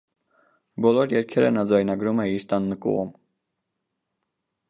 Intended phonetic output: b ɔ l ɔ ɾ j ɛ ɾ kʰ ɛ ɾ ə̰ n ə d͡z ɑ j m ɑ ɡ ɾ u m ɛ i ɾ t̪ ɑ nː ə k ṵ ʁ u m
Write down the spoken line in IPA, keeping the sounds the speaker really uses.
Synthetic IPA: b ɔ l ɔ ɾ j ɛ ɾ kʰ ɛ ɾ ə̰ n ɑ d͡z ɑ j n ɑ ɡ ɾ u m ɛ i ɾ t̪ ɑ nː ə k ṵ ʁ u m